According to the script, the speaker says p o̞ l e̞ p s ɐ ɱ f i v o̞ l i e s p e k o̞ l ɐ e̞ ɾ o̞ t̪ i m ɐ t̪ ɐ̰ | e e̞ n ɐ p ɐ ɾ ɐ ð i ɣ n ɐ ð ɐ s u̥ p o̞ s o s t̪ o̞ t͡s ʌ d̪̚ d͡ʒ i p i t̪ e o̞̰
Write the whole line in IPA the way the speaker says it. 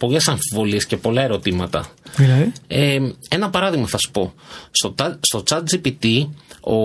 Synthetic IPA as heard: p o̞ l e̞ s ɐ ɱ f i v o̞ l i e s c e p o̞ l ɐ e̞ ɾ o̞ t̪ i m ɐ t̪ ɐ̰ | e e̞ n ɐ p ɐ ɾ ɐ ð i ɣ m ɐ θ ɐ s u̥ p o̞ s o s t̪ o̞ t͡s ɐ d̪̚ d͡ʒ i p i t̪ i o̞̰